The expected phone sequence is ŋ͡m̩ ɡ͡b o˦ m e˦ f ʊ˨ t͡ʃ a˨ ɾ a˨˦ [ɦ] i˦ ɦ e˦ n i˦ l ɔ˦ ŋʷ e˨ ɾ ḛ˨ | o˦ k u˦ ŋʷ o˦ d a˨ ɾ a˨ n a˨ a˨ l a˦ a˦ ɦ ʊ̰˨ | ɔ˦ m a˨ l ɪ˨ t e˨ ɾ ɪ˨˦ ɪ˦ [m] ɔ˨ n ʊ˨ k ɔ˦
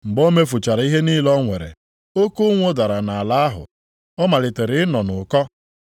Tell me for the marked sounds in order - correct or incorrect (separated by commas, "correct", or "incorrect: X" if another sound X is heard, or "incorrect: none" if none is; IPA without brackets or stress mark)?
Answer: incorrect: none, incorrect: n